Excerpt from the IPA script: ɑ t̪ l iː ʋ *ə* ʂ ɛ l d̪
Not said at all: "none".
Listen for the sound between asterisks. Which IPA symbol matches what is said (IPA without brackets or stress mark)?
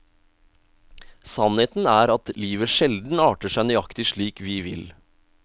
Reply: ə